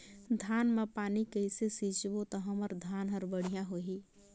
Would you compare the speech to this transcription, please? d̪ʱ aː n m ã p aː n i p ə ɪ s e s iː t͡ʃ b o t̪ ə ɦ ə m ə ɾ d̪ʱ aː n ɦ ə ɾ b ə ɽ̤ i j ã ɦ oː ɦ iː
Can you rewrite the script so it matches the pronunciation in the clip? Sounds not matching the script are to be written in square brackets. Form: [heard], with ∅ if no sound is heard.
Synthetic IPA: d̪ʱ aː n m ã p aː n i [k] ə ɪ s e s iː t͡ʃ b o t̪ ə ɦ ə m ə ɾ d̪ʱ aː n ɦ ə ɾ b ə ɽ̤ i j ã ɦ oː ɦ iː